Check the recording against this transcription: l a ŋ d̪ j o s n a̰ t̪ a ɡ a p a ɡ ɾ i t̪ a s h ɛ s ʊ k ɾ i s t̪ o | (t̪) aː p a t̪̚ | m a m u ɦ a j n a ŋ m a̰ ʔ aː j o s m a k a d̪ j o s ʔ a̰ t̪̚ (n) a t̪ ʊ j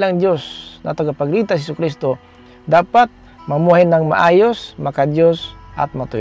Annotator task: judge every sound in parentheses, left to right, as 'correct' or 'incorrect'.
incorrect: d̪, incorrect: m

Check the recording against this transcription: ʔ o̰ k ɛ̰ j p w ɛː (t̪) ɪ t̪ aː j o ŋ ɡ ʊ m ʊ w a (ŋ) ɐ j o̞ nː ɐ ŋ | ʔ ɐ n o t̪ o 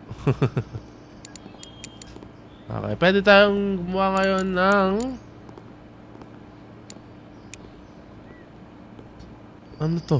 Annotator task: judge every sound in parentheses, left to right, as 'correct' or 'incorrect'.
incorrect: d̪, correct

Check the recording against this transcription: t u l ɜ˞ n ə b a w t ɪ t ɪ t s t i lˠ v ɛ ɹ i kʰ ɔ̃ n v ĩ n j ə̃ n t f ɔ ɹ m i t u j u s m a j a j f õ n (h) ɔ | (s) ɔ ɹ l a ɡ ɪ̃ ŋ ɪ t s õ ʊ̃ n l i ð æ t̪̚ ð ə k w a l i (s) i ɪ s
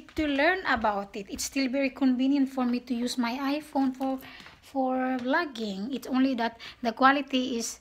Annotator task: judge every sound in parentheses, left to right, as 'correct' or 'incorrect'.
incorrect: f, incorrect: f, incorrect: t

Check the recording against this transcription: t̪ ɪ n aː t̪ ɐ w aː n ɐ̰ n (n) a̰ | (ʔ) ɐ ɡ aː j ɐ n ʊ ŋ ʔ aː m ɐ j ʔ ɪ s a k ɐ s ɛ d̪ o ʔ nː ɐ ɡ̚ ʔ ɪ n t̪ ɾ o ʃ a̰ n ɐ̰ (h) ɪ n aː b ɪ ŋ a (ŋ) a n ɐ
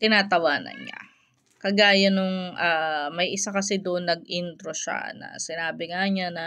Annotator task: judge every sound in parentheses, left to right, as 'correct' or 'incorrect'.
incorrect: ɲ, incorrect: k, incorrect: s, incorrect: ɲ

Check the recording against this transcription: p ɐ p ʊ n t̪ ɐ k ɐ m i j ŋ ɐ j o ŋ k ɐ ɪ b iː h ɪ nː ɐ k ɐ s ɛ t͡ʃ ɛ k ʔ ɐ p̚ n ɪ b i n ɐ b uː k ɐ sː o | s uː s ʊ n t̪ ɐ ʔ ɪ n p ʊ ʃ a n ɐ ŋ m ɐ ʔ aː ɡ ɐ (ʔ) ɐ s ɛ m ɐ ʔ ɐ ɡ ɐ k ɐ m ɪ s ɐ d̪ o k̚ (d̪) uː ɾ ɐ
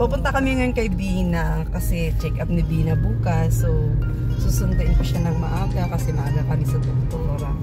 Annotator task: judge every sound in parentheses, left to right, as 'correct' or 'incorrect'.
incorrect: k, incorrect: t̪

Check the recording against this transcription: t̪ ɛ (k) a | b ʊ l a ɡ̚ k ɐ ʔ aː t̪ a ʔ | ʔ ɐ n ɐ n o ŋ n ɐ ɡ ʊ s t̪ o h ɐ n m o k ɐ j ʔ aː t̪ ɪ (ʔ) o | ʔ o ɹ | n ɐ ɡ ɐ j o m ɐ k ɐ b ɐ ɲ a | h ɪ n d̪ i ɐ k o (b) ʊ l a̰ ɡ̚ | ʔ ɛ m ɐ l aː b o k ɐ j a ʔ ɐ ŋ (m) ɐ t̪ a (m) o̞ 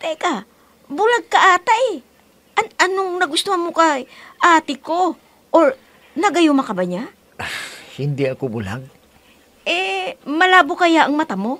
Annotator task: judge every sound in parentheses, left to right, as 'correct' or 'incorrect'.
correct, incorrect: k, correct, correct, correct

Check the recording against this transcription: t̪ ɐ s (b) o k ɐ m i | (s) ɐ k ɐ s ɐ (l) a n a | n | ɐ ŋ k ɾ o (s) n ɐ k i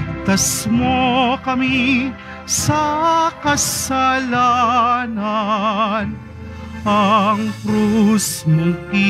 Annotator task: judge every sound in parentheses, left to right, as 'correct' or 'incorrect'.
incorrect: m, correct, correct, correct

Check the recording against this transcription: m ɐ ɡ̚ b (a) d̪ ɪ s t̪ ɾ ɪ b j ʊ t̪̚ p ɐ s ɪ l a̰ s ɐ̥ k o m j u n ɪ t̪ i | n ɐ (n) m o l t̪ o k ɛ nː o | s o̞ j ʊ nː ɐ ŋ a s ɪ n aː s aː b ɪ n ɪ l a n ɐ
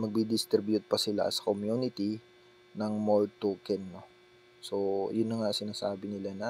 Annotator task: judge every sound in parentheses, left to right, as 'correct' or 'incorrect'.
incorrect: i, incorrect: ŋ

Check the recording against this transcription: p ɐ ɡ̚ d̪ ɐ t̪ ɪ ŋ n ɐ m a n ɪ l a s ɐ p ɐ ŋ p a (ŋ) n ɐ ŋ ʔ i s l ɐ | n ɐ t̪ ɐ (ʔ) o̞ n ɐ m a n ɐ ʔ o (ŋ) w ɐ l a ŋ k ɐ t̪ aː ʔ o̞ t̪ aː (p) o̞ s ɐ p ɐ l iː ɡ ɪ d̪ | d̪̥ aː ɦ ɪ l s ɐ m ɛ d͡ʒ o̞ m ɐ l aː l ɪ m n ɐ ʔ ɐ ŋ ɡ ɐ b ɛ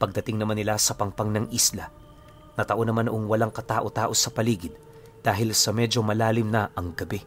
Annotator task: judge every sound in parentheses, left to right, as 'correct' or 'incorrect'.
correct, correct, correct, incorrect: ʔ

